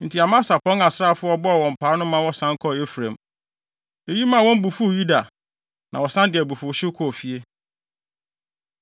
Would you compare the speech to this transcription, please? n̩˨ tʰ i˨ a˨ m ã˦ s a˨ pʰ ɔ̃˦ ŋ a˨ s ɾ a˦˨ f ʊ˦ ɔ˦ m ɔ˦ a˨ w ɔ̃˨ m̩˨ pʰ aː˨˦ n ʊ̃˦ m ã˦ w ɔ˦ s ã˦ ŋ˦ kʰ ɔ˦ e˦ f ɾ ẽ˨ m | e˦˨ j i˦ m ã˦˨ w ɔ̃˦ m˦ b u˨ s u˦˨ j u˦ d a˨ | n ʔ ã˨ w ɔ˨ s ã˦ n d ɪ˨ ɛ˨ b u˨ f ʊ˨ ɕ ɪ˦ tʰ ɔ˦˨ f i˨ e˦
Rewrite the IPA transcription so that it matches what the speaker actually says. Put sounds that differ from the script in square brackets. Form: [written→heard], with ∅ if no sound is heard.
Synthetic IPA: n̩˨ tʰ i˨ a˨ m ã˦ s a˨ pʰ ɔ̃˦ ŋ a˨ s ɾ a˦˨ f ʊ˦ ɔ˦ [m→b] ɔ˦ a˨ w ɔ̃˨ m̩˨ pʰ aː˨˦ n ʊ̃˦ m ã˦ w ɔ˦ s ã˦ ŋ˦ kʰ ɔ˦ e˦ f ɾ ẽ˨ m | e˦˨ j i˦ m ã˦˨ w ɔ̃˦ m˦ b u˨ [s→f] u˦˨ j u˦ d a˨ | n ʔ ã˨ w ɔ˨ s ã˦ n d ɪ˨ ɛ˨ b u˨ f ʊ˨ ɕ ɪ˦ [tʰ→kʰ] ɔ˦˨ f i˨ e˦